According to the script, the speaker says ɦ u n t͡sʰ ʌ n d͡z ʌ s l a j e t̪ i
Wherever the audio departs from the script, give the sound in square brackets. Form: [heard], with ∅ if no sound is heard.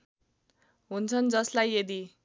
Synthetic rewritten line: ɦ u n t͡sʰ ʌ n d͡z ʌ s l a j e [d̪] i